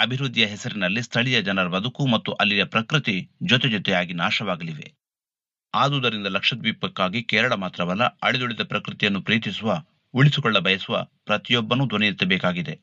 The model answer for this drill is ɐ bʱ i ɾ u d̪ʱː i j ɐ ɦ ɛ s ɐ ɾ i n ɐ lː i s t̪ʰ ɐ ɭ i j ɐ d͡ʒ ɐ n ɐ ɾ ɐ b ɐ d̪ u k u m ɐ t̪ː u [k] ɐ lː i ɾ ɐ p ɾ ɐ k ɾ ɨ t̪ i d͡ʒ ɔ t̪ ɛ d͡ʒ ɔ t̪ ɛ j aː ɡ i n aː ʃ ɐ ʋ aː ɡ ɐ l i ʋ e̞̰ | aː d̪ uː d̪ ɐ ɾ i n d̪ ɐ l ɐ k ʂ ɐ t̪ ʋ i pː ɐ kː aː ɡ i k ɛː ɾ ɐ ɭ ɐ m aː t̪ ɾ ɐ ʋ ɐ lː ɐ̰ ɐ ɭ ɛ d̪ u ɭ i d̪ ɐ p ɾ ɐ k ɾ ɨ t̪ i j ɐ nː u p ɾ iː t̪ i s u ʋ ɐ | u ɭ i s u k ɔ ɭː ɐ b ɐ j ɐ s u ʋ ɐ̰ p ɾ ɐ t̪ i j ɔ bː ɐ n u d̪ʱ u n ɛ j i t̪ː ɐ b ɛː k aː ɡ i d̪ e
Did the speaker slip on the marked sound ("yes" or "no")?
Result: yes